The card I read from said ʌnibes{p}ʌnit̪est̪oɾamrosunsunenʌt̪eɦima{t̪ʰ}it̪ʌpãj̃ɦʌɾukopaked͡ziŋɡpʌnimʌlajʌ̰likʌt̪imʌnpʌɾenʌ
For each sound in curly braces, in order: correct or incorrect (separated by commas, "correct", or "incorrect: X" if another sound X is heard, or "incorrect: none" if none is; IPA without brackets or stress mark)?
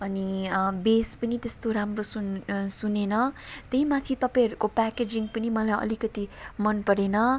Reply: correct, correct